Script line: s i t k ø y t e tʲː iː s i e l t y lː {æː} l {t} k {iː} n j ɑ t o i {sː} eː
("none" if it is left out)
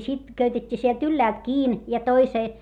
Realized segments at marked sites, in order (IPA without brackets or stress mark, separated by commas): æː, t, iː, s